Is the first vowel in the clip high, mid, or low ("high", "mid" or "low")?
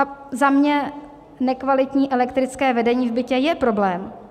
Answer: low